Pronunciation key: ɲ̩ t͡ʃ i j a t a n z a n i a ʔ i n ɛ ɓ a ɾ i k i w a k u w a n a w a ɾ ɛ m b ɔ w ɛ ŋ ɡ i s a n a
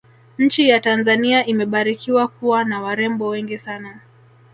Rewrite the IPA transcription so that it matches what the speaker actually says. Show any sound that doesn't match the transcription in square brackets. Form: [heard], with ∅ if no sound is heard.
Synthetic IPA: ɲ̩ t͡ʃ i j a t a n z a n i a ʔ i [m] ɛ ɓ a ɾ i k i w a k u w a n a w a ɾ ɛ m b ɔ w ɛ ŋ ɡ i s a n a